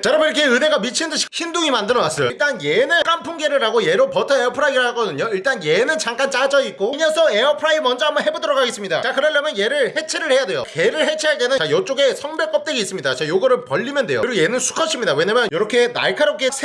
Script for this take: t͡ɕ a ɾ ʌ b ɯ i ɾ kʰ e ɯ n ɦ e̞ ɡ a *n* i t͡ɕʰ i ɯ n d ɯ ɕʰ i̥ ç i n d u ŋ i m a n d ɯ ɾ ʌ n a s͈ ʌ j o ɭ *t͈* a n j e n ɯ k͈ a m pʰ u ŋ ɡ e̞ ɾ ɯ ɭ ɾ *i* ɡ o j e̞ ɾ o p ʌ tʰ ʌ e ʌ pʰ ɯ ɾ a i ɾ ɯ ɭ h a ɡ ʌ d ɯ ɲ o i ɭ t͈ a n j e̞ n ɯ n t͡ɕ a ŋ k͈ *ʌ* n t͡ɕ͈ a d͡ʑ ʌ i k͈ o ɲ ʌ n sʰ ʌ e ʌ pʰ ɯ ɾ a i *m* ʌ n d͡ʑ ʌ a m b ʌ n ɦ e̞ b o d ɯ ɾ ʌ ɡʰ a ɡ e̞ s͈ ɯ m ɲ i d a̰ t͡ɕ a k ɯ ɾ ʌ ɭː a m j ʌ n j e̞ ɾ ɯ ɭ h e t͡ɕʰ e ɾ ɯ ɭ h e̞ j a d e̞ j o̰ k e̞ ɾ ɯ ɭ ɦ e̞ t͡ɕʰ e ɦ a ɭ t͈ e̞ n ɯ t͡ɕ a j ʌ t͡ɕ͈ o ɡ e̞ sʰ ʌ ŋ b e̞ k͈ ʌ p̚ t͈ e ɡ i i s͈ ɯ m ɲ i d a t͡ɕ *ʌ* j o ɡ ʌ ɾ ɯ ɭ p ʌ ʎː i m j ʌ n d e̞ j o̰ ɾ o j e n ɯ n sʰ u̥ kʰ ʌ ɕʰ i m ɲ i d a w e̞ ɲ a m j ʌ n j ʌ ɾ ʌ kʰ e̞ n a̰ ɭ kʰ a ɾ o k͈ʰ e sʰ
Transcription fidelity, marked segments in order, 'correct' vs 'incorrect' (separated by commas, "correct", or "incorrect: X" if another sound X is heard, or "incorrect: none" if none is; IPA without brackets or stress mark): incorrect: m, correct, incorrect: a, incorrect: a, correct, incorrect: a